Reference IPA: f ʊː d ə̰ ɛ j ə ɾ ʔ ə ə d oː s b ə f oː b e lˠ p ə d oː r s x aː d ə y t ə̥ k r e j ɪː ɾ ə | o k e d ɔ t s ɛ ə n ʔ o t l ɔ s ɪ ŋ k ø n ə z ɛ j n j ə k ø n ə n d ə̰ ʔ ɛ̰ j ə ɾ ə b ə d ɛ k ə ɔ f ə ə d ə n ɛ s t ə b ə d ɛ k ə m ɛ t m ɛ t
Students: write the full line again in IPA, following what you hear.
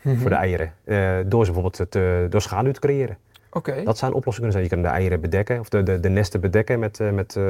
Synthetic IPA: f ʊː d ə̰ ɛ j ə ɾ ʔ ə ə d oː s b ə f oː b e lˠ t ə d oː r s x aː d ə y t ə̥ k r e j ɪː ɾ ə | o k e d ɔ t s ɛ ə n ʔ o p l ɔ s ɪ ŋ k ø n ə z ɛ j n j ə k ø n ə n d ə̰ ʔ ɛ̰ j ə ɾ ə b ə d ɛ k ə ɔ f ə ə d ə n ɛ s t ə b ə d ɛ k ə m ɛ t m ɛ t